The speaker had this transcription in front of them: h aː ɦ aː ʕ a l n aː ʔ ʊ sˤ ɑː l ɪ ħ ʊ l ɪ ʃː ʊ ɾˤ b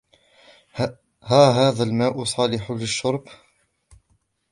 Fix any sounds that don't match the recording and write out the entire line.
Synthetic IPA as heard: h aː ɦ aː ð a l m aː ʔ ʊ sˤ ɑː l ɪ ħ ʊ l ɪ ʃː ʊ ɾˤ b